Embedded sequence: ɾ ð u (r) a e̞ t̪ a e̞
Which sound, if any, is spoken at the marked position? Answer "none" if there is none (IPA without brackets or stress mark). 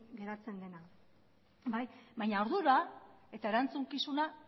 ɾ